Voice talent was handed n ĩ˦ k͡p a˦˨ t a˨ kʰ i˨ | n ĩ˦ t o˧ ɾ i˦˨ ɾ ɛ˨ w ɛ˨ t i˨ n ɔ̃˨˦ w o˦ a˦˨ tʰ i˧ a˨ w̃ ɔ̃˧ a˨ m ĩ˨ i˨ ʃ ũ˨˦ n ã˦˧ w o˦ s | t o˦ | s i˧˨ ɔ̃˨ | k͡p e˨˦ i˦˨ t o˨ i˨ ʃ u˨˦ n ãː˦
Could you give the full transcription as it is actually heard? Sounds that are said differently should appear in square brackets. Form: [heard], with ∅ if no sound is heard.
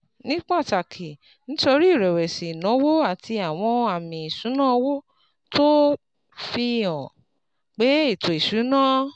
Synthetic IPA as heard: n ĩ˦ k͡p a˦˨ t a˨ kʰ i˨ | n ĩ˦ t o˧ ɾ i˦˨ ɾ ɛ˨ w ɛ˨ [s] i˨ n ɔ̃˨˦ w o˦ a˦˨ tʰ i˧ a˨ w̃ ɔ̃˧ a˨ m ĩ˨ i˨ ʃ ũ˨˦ n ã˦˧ w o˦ [∅] | t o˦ | [f] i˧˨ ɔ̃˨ | k͡p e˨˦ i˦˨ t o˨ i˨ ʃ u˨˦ n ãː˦